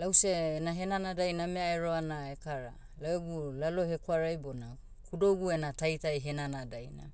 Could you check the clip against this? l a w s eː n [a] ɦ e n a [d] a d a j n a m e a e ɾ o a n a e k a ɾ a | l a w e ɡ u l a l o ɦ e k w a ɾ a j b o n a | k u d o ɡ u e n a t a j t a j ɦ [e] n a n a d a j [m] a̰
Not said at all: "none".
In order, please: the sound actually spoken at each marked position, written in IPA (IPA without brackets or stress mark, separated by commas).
a, n, e, n